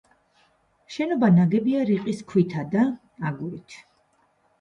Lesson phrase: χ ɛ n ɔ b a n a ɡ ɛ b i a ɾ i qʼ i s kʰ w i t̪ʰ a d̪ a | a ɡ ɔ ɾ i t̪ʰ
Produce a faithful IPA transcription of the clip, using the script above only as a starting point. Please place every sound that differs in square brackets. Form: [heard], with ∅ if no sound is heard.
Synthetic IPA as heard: [ʃ] ɛ n ɔ b a n a ɡ ɛ b i a ɾ i qʼ i s kʰ w i t̪ʰ a d̪ a | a ɡ [u] ɾ i t̪ʰ